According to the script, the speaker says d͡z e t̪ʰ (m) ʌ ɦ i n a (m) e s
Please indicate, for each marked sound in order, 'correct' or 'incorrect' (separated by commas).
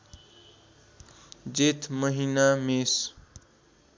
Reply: correct, correct